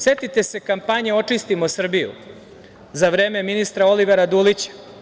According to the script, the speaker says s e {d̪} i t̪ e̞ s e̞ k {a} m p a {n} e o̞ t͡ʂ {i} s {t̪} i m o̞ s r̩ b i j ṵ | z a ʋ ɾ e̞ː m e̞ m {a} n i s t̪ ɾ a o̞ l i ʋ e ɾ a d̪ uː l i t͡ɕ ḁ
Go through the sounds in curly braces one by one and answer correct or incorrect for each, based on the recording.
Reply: incorrect: t̪, correct, incorrect: ɲ, correct, correct, incorrect: i

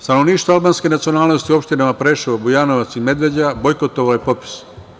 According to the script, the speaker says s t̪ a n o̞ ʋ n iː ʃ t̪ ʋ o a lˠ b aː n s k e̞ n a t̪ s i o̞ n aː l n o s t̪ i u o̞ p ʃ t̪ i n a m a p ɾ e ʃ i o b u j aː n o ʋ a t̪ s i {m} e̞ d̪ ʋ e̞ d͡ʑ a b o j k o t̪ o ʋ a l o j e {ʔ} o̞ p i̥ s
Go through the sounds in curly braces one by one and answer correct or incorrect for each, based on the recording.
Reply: correct, incorrect: p

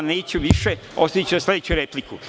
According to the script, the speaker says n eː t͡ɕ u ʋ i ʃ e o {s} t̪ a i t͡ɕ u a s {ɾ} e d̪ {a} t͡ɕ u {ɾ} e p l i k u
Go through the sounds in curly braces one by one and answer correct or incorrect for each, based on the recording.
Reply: correct, incorrect: l, incorrect: e, correct

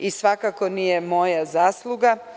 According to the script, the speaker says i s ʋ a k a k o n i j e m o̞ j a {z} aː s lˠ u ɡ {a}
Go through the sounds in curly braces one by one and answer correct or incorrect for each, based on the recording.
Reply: correct, correct

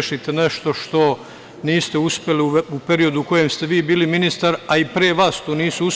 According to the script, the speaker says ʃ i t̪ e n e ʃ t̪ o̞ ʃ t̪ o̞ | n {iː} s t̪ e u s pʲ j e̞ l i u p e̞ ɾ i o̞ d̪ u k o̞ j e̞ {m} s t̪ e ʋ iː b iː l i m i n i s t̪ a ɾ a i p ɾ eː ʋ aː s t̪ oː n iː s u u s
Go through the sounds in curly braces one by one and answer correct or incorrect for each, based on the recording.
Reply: correct, correct

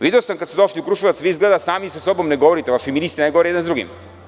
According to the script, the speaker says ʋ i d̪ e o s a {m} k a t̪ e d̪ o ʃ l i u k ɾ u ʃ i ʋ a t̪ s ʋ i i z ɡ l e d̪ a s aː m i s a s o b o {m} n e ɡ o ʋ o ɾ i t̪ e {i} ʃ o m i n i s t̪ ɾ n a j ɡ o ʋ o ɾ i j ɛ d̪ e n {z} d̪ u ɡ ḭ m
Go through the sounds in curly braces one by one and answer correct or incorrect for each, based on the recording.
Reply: correct, correct, incorrect: a, correct

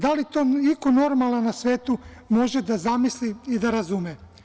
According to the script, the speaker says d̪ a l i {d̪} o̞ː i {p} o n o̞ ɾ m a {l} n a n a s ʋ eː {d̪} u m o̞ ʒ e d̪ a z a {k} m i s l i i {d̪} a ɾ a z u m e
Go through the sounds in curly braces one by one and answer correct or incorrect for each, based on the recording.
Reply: incorrect: t̪, incorrect: k, correct, incorrect: t̪, incorrect: none, correct

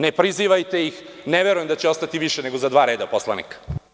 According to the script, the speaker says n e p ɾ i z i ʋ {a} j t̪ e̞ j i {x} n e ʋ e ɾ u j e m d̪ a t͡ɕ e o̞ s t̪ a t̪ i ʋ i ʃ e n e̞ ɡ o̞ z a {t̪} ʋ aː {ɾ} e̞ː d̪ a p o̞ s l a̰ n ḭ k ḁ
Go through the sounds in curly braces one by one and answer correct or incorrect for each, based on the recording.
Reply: correct, correct, incorrect: d̪, correct

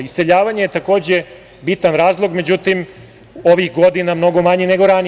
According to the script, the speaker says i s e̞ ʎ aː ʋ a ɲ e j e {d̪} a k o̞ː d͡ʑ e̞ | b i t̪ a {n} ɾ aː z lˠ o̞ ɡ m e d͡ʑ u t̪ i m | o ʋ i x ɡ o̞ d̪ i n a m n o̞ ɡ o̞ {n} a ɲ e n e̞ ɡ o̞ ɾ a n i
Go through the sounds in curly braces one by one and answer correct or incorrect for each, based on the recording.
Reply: incorrect: t̪, correct, incorrect: m

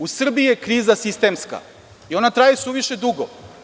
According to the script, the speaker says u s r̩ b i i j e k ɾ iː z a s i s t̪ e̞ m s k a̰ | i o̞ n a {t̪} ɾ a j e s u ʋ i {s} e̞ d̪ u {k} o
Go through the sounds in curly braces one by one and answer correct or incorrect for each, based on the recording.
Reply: correct, incorrect: ʃ, incorrect: ɡ

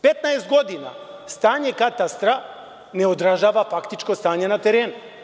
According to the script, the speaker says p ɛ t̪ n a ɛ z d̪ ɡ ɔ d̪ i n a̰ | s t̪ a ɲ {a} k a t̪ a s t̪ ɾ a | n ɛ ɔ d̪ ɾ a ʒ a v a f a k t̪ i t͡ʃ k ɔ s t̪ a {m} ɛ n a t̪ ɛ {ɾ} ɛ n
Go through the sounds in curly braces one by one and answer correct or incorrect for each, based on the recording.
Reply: incorrect: ɛ, incorrect: ɲ, correct

